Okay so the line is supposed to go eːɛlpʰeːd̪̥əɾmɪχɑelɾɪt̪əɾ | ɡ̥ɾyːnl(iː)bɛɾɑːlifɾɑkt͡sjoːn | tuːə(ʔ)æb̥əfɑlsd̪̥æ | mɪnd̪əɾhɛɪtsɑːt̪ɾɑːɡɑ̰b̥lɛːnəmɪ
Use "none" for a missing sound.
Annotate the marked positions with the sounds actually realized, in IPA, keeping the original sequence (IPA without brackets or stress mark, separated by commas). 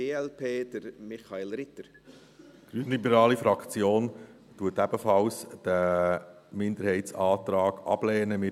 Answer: i, t